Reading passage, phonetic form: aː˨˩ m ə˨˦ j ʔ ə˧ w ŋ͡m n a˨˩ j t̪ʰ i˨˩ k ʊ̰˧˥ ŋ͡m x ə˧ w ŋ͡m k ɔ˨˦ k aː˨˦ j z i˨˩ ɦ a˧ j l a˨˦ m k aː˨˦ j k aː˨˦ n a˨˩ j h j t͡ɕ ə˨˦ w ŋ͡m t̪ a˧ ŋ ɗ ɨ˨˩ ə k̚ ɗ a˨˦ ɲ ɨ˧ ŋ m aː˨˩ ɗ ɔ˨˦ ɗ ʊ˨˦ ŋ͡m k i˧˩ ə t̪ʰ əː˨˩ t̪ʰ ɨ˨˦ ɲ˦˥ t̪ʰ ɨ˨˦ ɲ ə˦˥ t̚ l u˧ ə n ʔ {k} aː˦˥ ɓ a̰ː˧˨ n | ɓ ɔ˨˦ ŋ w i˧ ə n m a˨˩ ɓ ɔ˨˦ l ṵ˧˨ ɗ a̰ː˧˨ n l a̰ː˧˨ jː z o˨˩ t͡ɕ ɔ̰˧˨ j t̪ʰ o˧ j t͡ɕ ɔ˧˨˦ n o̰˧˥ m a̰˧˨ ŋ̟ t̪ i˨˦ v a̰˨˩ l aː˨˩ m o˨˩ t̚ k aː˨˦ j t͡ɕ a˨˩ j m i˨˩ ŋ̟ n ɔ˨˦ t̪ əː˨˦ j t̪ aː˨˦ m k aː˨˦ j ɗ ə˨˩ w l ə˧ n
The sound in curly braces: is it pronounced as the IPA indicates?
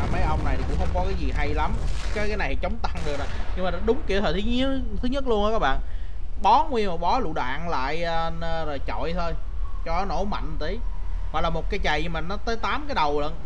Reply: yes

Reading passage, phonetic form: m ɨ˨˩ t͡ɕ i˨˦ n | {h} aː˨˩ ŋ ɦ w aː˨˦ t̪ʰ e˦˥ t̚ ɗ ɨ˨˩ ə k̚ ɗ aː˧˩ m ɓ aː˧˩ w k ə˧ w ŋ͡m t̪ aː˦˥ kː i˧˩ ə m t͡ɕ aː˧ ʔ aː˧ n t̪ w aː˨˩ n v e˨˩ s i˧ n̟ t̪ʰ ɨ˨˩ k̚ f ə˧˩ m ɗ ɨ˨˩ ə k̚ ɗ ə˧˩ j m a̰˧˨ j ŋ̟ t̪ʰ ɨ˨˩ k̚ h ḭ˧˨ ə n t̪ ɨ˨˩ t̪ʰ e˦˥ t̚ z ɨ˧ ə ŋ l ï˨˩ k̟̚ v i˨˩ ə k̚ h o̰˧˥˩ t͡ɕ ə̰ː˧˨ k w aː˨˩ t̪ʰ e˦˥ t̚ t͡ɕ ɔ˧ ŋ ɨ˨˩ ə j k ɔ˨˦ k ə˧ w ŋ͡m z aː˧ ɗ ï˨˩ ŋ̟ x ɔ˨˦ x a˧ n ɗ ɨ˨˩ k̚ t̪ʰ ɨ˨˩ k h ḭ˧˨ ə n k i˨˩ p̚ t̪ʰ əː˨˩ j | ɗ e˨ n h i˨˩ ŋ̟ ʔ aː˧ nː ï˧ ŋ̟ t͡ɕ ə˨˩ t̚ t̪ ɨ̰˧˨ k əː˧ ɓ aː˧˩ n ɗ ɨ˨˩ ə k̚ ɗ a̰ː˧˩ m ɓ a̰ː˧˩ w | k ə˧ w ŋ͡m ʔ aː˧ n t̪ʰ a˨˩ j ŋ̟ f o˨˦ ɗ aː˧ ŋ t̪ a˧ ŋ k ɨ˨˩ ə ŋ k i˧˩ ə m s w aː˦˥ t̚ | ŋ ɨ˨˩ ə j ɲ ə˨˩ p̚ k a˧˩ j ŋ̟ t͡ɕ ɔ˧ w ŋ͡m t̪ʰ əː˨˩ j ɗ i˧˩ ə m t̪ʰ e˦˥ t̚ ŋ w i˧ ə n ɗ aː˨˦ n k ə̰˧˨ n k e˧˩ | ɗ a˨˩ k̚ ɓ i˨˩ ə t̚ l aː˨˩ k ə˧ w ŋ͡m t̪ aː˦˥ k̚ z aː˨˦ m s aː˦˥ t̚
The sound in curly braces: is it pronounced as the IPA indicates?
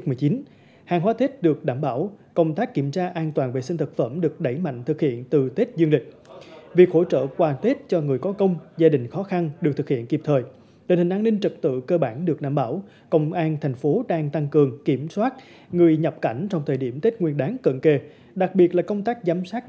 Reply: yes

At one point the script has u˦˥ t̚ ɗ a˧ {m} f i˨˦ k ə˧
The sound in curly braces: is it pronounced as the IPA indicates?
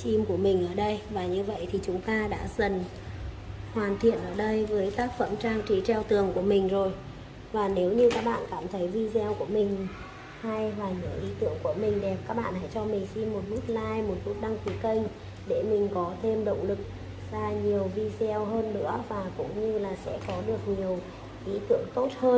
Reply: no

